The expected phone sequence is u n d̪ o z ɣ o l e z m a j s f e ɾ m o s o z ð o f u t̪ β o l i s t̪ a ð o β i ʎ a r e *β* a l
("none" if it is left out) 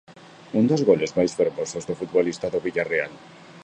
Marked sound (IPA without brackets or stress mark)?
none